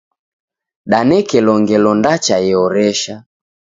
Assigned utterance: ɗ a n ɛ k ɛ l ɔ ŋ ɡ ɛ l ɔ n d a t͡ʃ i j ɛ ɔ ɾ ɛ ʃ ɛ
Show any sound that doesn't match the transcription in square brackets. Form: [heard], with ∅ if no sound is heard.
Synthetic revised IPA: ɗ a n ɛ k ɛ l ɔ ŋ ɡ ɛ l ɔ n d a t͡ʃ [a] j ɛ ɔ ɾ ɛ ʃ [a]